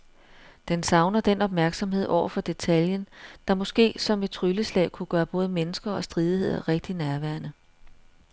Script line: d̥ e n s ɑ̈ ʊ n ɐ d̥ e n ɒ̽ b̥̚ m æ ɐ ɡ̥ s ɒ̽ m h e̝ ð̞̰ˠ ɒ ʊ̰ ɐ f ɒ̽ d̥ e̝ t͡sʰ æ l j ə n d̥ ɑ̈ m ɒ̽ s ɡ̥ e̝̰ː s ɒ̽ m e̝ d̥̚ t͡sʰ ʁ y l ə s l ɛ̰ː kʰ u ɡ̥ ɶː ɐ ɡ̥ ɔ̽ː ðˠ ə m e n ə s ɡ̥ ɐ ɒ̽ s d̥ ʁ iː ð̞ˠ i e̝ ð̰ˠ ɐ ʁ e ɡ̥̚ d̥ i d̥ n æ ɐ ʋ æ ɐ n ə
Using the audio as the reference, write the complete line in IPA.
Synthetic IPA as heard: d̥ e n s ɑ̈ ʊ n ɐ d̥ e n ɒ̽ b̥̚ m æ ɐ ɡ̥ s ɒ̽ m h e̝ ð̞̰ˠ ɒ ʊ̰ ɐ f ɒ̽ d̥ e̝ t͡sʰ æ l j ə n d̥ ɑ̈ m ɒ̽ s ɡ̥ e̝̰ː s ɒ̽ m e̝ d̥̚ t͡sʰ ʁ y l ə s l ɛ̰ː kʰ u ɡ̥ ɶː ɐ b̥ ɔ̽ː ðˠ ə m e n ə s ɡ̥ ɐ ɒ̽ s d̥ ʁ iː ð̞ˠ i e̝ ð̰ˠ ɐ ʁ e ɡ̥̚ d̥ i n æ ɐ ʋ æ ɐ n ə